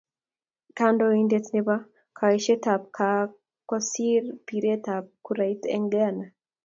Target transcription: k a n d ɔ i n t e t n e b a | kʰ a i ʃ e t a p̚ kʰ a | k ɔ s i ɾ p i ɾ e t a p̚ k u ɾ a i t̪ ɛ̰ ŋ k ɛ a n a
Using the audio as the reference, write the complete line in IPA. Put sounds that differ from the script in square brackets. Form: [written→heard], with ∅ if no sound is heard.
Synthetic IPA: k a n d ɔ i n [t→d] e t n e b a | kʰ a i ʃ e t a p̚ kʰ a | k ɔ s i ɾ p i ɾ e t a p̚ k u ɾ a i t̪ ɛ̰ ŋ [k→ɡ] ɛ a n a